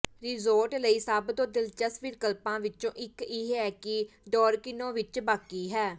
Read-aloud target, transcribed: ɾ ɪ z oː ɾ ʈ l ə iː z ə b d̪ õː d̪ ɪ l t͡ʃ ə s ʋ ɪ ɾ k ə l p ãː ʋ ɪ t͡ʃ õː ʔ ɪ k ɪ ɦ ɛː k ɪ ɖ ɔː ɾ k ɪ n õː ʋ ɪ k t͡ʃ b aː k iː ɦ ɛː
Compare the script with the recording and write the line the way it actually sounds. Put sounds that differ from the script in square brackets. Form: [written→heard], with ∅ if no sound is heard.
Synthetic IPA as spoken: ɾ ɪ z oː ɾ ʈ l ə iː [z→s] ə b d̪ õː d̪ ɪ l t͡ʃ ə s ʋ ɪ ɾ k ə l p ãː ʋ ɪ t͡ʃ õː ʔ ɪ k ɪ ɦ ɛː k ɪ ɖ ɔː ɾ k ɪ n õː ʋ ɪ [k→∅] t͡ʃ b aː k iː ɦ ɛː